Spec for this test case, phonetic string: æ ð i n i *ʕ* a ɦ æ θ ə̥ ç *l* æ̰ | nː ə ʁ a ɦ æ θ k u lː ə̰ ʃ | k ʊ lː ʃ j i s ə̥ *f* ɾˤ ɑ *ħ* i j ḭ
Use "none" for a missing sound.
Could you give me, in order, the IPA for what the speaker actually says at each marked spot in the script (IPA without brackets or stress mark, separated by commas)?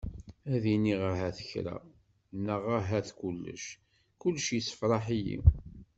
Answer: ʁ, ɾ, f, ħ